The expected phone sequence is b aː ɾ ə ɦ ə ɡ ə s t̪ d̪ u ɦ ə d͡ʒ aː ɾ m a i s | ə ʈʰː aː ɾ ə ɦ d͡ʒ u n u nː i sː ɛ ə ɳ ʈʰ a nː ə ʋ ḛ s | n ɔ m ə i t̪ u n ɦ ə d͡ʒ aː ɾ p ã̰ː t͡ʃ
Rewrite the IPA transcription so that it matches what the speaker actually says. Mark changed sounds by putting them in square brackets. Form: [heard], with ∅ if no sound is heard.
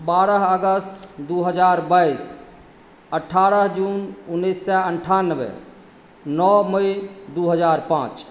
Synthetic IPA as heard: b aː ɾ ə ɦ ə ɡ ə s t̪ d̪ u ɦ ə d͡ʒ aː ɾ [b] a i s | ə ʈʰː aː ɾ ə ɦ d͡ʒ u n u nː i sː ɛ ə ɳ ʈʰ a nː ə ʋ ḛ [∅] | n ɔ m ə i [d̪] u [∅] ɦ ə d͡ʒ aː ɾ p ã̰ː t͡ʃ